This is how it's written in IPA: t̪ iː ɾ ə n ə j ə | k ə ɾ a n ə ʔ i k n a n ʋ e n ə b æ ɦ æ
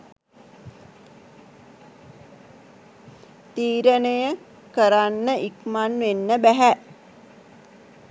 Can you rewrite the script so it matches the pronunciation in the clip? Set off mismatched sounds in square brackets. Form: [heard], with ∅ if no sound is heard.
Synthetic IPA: t̪ iː ɾ ə n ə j ə | k ə ɾ a [nː] ə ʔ i k [m] a n ʋ e [nː] ə b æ ɦ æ